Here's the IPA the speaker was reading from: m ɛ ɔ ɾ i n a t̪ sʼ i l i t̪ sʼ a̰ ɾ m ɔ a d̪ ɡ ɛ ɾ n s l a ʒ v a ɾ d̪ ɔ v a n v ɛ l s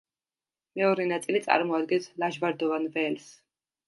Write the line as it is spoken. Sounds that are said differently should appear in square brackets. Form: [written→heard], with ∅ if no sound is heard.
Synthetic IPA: m ɛ ɔ ɾ [i→ɛ] n a t̪ sʼ i l i t̪ sʼ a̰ ɾ m ɔ a d̪ ɡ ɛ [ɾ→∅] n s l a ʒ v a ɾ d̪ ɔ v a n v ɛ l s